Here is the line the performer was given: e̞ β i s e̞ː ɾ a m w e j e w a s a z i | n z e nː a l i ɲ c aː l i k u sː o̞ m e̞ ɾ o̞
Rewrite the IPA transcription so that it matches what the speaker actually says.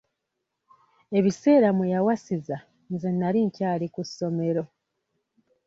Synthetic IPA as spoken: e̞ β i s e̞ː ɾ a m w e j a w a s i z a | n z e nː a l i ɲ c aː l i k u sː o̞ m e̞ ɾ o̞